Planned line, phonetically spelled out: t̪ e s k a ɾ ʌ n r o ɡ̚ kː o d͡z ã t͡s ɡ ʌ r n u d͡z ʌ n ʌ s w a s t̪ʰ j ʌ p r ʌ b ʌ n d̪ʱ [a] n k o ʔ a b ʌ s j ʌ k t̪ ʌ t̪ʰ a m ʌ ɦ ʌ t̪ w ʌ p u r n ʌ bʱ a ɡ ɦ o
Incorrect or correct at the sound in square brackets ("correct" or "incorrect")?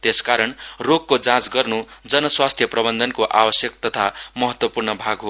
incorrect